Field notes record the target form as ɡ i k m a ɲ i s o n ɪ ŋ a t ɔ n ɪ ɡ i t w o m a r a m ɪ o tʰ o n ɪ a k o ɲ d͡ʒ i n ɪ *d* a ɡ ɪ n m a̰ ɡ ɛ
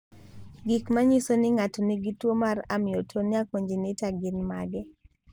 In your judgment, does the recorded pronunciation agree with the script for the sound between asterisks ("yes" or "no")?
no